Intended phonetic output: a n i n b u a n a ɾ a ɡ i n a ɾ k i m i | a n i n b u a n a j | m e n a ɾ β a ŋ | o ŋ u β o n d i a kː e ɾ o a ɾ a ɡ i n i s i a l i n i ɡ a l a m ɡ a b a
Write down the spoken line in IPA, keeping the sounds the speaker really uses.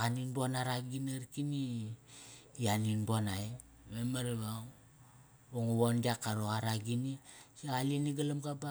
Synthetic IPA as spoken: a n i n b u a n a ɾ a ɡ i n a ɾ k i n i | a n i n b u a n a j | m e m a ɾ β a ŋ | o ŋ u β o n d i a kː a ɾ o a ɾ a ɡ i n i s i a l i n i ɡ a l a m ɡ a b a